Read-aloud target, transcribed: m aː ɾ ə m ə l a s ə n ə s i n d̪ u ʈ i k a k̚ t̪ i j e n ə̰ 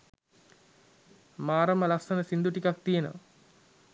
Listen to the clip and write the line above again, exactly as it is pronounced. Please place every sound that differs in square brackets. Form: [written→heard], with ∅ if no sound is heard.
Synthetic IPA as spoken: m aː ɾ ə m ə l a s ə n ə s i n d̪ u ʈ i k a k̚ t̪ i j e n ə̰